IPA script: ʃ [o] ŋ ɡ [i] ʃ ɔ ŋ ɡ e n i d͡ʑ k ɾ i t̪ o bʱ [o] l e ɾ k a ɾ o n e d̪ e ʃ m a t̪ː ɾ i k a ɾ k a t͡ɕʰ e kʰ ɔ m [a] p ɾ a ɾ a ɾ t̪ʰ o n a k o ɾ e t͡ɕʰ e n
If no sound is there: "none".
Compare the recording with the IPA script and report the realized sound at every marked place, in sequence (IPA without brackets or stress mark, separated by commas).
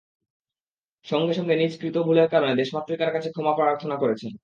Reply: ɔ, e, u, a